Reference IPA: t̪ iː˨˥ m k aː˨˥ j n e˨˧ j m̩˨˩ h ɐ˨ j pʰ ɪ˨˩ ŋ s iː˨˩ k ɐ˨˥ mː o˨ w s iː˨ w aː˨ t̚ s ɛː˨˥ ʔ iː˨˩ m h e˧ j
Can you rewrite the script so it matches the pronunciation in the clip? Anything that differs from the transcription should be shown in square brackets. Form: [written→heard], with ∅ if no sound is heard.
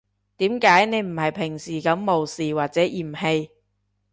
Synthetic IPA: t̪ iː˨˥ m k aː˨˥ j n e˨˧ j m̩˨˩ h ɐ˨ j pʰ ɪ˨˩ ŋ s iː˨˩ k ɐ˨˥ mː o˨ w s iː˨ w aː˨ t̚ [s→t͡s] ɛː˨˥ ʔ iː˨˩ m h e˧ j